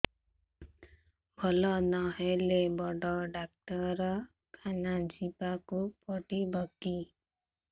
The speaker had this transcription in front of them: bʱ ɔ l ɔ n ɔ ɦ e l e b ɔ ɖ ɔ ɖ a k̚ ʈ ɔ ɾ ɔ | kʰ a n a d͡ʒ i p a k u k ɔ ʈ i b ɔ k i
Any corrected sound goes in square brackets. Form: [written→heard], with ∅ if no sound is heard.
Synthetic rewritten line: bʱ ɔ l ɔ n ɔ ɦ e l e b ɔ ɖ ɔ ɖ a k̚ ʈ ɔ ɾ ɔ | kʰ a n a d͡ʒ i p a k u [k→p] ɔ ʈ i b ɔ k i